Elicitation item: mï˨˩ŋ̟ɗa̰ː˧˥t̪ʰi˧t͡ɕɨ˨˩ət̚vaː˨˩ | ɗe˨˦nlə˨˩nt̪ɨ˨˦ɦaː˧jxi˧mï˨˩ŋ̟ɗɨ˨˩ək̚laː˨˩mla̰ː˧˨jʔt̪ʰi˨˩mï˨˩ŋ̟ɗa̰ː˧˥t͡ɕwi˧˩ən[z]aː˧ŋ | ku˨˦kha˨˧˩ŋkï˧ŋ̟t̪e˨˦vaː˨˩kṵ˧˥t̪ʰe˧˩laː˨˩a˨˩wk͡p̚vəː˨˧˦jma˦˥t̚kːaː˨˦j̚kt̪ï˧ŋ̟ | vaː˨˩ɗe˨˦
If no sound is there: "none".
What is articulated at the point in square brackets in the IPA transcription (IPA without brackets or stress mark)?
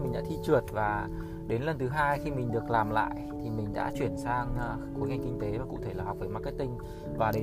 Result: s